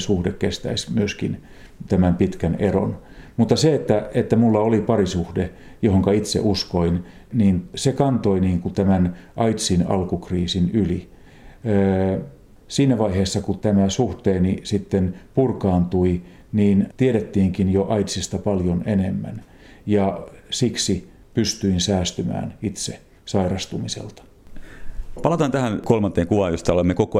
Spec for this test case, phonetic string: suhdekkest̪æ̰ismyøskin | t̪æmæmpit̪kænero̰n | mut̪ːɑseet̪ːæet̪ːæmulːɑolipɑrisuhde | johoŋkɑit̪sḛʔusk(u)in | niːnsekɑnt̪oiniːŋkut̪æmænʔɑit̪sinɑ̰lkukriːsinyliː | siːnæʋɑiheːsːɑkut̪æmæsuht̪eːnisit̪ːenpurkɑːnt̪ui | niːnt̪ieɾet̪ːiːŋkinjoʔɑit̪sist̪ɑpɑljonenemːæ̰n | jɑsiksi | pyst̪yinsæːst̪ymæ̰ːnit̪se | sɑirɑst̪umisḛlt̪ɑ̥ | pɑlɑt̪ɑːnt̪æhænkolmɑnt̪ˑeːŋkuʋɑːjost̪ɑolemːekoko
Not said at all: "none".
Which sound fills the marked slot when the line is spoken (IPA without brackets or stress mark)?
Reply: o